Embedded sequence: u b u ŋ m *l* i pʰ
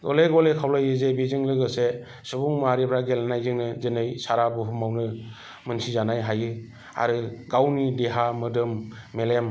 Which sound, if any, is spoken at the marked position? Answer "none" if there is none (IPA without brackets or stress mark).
ɾ